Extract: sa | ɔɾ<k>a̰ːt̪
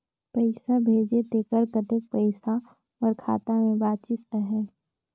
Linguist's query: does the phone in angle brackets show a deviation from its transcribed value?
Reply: yes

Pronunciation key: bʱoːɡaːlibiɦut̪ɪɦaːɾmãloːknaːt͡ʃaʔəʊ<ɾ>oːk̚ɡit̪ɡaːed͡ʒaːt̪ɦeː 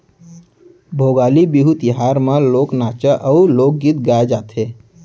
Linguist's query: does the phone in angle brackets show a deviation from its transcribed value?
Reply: yes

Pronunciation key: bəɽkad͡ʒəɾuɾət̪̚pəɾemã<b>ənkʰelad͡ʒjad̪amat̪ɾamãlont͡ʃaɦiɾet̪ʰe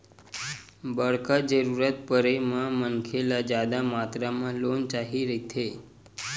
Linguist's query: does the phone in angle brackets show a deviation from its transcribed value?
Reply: yes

